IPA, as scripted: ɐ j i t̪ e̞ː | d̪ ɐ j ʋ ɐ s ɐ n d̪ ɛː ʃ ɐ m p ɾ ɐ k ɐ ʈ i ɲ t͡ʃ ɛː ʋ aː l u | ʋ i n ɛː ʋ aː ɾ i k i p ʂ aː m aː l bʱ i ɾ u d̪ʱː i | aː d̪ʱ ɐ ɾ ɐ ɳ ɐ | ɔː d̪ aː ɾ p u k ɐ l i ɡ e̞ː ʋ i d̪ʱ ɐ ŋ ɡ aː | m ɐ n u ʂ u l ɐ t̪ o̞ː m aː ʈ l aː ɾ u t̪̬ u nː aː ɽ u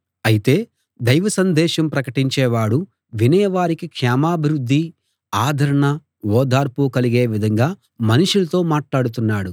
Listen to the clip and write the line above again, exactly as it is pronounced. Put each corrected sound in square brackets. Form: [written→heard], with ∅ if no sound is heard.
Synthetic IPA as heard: ɐ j i t̪ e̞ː | d̪ ɐ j ʋ ɐ s ɐ n d̪ ɛː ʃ ɐ m p ɾ ɐ k ɐ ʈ i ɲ t͡ʃ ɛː ʋ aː [l→ɽ] u | ʋ i n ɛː ʋ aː ɾ i k i [p→k] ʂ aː m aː [l→∅] bʱ i ɾ u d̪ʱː i | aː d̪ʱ ɐ ɾ ɐ ɳ ɐ | ɔː d̪ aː ɾ p u k ɐ l i ɡ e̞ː ʋ i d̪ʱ ɐ ŋ ɡ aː | m ɐ n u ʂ u l ɐ t̪ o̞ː m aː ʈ l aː [ɾ→ɽ] u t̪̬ u nː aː ɽ u

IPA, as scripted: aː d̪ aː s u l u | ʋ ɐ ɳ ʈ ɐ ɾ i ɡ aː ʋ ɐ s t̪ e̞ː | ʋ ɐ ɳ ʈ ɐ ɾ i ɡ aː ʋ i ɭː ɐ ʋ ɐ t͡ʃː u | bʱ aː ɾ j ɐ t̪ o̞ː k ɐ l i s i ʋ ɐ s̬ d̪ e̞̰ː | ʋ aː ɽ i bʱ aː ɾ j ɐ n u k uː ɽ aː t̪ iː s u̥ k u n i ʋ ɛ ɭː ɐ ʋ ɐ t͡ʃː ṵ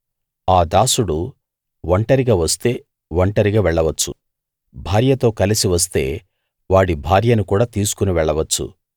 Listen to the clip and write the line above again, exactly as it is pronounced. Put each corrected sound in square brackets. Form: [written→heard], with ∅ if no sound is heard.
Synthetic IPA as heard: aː d̪ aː s u [l→ɽ] u | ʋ ɐ ɳ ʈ ɐ ɾ i ɡ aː ʋ ɐ s t̪ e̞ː | ʋ ɐ ɳ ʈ ɐ ɾ i ɡ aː ʋ [i→ɛ] ɭː ɐ ʋ ɐ t͡ʃː u | bʱ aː ɾ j ɐ t̪ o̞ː k ɐ l i s i ʋ ɐ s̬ [d̪→t̪] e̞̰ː | ʋ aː ɽ i bʱ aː ɾ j ɐ n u k uː ɽ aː t̪ iː s u̥ k u n i ʋ ɛ ɭː ɐ ʋ ɐ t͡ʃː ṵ

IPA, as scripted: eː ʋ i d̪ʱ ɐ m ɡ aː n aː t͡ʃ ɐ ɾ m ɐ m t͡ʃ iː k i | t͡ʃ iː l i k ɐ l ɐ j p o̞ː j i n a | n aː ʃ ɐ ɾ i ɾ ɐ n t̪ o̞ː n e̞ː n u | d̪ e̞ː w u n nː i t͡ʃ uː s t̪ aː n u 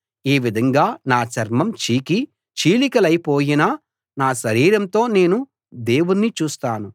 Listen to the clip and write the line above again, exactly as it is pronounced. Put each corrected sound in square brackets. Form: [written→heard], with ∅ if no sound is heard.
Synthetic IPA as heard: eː ʋ i d̪ʱ ɐ [m→ŋ] ɡ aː n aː t͡ʃ ɐ ɾ m ɐ m t͡ʃ iː k i | t͡ʃ iː l i k ɐ l ɐ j p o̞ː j i n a | n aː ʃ ɐ ɾ [i→iː] ɾ ɐ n t̪ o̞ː n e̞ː n u | d̪ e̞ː w u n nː i t͡ʃ uː s t̪ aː n u

